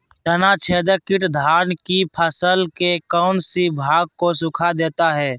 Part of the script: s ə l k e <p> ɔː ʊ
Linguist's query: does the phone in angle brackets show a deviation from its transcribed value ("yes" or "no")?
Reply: yes